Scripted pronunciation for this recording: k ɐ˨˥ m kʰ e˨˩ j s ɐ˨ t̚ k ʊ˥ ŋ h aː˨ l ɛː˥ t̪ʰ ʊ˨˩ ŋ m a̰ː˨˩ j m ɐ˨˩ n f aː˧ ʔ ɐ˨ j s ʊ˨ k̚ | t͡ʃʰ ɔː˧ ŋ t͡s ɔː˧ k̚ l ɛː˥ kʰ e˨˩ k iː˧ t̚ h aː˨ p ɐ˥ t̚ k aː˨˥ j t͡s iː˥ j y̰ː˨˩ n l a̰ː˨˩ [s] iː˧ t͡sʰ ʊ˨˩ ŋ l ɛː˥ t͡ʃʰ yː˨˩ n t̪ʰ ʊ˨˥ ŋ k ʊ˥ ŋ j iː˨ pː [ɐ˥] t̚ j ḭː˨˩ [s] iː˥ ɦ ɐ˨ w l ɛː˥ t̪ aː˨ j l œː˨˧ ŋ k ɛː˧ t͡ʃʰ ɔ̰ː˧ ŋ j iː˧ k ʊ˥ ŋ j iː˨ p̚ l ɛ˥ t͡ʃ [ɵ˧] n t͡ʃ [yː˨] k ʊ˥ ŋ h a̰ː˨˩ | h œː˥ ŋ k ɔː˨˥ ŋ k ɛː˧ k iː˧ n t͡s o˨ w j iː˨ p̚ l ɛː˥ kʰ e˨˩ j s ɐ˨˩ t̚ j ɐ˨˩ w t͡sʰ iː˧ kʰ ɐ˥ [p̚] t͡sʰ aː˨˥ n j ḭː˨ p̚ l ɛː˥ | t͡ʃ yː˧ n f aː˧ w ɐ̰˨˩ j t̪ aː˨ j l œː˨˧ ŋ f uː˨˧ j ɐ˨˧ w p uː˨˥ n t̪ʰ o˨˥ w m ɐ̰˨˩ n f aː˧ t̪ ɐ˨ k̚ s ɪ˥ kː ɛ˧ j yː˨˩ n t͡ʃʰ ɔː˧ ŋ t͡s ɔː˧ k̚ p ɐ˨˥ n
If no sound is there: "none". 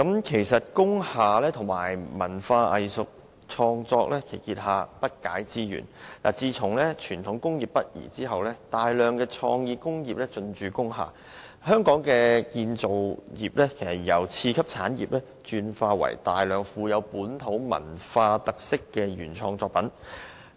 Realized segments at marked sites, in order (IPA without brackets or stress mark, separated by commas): t͡s, ɐ˥, t͡s, ɵ˧, yː˨, p̚